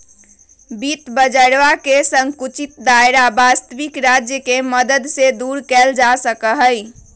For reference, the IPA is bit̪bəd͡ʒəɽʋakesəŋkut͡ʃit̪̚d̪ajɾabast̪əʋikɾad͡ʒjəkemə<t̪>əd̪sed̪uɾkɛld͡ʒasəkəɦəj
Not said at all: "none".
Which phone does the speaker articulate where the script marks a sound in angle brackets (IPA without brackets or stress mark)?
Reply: d̪